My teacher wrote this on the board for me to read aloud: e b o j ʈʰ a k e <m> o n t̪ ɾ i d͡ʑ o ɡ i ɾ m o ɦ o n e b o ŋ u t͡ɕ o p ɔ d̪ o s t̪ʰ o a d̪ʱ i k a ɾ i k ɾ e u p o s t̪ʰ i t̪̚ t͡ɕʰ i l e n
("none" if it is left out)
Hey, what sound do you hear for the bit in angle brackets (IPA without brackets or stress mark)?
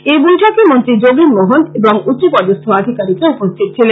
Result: m